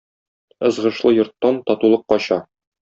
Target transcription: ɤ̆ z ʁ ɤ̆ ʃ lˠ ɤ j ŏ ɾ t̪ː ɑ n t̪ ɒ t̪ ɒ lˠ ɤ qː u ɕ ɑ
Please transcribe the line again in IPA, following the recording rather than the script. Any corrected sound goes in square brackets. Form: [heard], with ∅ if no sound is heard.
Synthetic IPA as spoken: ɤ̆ z ʁ ɤ̆ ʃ lˠ ɤ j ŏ ɾ t̪ː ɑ n t̪ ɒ t̪ [u] lˠ ɤ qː [ɒ] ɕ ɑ